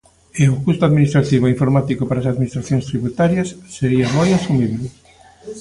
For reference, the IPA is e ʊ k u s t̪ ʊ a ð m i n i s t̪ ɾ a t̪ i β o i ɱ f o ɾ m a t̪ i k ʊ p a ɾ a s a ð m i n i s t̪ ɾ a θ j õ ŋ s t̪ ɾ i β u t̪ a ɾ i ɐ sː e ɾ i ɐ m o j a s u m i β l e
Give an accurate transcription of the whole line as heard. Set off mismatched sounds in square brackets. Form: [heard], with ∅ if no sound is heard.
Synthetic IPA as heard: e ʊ k u s t̪ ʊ a ð m i n i s t̪ ɾ a t̪ i β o i ɱ f o ɾ m a t̪ i k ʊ p a ɾ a s a ð m i n i s t̪ ɾ a θ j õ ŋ s t̪ ɾ i β u t̪ a ɾ [j] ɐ sː e ɾ i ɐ m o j a s u m i β l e